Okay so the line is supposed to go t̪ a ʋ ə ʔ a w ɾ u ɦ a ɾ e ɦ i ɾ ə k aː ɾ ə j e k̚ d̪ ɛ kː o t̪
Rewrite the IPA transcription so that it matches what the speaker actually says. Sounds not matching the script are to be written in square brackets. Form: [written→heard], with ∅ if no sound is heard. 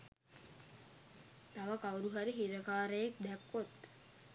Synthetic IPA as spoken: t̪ a ʋ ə [ʔ→k] a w ɾ u ɦ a ɾ [e→i] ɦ i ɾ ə k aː ɾ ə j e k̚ d̪ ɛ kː o t̪